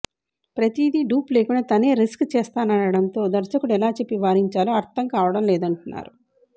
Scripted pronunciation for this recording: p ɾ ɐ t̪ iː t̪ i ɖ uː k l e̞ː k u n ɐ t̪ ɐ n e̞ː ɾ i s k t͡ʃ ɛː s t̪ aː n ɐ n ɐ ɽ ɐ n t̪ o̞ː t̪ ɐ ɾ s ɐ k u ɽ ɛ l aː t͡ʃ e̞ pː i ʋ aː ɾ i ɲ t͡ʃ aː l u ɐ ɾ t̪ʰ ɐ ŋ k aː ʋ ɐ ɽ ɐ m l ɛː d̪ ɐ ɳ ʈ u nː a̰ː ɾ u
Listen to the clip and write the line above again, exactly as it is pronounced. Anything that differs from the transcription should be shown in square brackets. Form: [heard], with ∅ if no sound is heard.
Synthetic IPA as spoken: p ɾ ɐ t̪ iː [d̪] i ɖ uː [p] l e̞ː k u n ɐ t̪ ɐ n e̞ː ɾ i s k t͡ʃ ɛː s t̪ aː n ɐ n ɐ ɽ ɐ n t̪ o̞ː [d̪] ɐ ɾ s ɐ k u ɽ ɛ l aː t͡ʃ e̞ pː i ʋ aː ɾ i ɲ t͡ʃ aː l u ɐ ɾ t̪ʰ ɐ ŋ k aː ʋ ɐ ɽ ɐ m l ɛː d̪ ɐ ɳ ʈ u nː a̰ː ɾ u

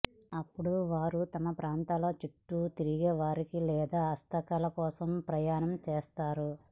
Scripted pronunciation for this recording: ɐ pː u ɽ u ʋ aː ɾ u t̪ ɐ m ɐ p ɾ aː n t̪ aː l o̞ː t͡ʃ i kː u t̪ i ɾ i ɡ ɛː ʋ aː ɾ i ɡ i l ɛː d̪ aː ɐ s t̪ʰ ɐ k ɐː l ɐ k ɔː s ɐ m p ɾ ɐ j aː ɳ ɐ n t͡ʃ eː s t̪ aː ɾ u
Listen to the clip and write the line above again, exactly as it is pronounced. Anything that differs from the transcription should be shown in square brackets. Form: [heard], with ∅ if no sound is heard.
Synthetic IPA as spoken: ɐ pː u ɽ u ʋ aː ɾ u t̪ ɐ m ɐ p ɾ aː n t̪ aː l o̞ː t͡ʃ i [ʈː] u t̪ i ɾ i ɡ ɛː ʋ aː ɾ i [k] i l ɛː d̪ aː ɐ s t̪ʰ ɐ k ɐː l ɐ k ɔː s ɐ m p ɾ ɐ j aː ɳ ɐ [m] t͡ʃ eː s t̪ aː ɾ u

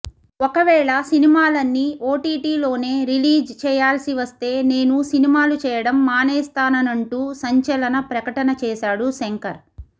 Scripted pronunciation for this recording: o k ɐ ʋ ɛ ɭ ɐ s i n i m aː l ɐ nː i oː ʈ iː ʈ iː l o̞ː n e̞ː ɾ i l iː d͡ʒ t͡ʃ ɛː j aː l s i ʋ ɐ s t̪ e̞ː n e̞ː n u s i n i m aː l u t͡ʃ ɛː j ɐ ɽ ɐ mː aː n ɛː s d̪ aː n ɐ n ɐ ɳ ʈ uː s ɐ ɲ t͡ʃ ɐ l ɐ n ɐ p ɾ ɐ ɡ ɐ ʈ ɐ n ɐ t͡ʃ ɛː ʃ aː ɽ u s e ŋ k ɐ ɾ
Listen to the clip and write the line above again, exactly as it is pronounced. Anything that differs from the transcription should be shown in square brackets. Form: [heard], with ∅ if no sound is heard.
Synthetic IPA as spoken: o k ɐ ʋ [ɛː] ɭ ɐ s i n i m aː l ɐ nː i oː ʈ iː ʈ iː l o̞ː n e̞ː ɾ i l iː d͡ʒ t͡ʃ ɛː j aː l s i ʋ ɐ s t̪ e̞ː n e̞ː n u s i n i m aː l u t͡ʃ ɛː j ɐ ɽ ɐ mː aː n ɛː s [t̪] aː n ɐ n ɐ ɳ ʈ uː s ɐ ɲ t͡ʃ ɐ l ɐ n ɐ p ɾ ɐ [k] ɐ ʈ ɐ n ɐ t͡ʃ ɛː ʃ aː ɽ u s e ŋ k ɐ ɾ

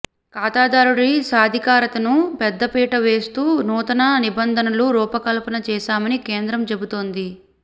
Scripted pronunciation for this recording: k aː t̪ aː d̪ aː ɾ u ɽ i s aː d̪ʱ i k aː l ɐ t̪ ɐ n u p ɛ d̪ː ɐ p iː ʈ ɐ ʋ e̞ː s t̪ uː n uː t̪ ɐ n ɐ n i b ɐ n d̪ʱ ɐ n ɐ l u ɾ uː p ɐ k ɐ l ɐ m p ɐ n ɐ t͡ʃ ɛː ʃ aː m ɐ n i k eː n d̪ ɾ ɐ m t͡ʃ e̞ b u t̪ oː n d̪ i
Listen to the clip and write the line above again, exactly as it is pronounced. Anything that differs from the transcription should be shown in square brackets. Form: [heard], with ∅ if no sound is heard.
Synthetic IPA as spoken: k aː t̪ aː d̪ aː ɾ u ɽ i s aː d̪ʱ i k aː [ɾ] ɐ t̪ ɐ n u p ɛ d̪ː ɐ p iː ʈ ɐ ʋ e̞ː s t̪ uː n uː t̪ ɐ n ɐ n i b ɐ n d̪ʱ ɐ n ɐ l u ɾ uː p ɐ k ɐ l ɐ [∅] p ɐ n ɐ t͡ʃ ɛː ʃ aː m ɐ n i k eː n d̪ ɾ ɐ m t͡ʃ e̞ b u t̪ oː n d̪ i

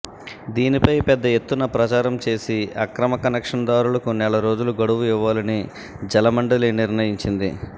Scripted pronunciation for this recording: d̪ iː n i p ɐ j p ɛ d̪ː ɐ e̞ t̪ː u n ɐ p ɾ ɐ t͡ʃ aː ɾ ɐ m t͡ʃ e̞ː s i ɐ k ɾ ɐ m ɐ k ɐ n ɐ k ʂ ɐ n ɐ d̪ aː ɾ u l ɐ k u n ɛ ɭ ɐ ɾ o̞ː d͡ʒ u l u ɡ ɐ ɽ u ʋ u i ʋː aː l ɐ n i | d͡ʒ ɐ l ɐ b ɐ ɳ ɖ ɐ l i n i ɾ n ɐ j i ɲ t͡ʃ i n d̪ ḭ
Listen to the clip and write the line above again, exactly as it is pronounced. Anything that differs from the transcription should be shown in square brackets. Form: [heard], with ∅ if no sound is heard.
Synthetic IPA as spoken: d̪ iː n i p ɐ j p ɛ d̪ː ɐ e̞ t̪ː u n ɐ p ɾ ɐ t͡ʃ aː ɾ ɐ m t͡ʃ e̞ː s i ɐ k ɾ ɐ m ɐ k ɐ n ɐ k ʂ ɐ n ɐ d̪ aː ɾ u l ɐ k u n ɛ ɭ ɐ ɾ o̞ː d͡ʒ u l u ɡ ɐ ɽ u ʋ u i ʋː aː l ɐ n i | d͡ʒ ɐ l ɐ [m] ɐ ɳ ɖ ɐ l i n i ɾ n ɐ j i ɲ t͡ʃ i n d̪ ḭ

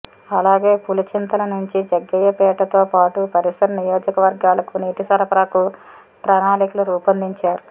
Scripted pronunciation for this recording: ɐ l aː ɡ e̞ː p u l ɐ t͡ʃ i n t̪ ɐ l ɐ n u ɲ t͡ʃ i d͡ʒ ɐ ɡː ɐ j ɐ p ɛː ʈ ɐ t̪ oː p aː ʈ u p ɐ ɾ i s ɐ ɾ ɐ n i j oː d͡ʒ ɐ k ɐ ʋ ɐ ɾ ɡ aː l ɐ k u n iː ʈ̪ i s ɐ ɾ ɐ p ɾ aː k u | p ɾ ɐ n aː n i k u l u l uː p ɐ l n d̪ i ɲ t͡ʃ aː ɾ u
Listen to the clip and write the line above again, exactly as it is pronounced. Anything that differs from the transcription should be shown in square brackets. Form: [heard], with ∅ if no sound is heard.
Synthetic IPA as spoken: ɐ l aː ɡ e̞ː p u l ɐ t͡ʃ i n t̪ ɐ l ɐ n u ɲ t͡ʃ i d͡ʒ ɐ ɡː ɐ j ɐ p ɛː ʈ ɐ t̪ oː p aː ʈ u p ɐ ɾ i s ɐ ɾ ɐ n i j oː d͡ʒ ɐ k ɐ ʋ ɐ ɾ ɡ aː l ɐ k u n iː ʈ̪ i s ɐ ɾ ɐ p ɾ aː k u | p ɾ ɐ n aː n i k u l u [ɾ] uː p ɐ [∅] n d̪ i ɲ t͡ʃ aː ɾ u

